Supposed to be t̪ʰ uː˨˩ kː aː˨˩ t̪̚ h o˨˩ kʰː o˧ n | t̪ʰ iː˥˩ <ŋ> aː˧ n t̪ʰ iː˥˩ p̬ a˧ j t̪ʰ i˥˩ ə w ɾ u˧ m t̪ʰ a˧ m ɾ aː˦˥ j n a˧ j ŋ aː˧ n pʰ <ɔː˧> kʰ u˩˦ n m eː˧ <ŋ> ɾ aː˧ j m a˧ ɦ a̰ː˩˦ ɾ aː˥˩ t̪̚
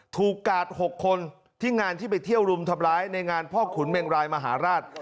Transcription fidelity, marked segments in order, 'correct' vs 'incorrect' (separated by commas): correct, incorrect, correct